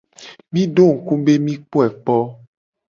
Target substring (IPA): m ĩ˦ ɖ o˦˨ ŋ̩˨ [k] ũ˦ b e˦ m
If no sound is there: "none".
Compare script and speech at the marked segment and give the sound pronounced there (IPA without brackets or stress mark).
k